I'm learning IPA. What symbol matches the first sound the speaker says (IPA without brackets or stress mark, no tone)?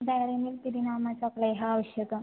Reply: d̪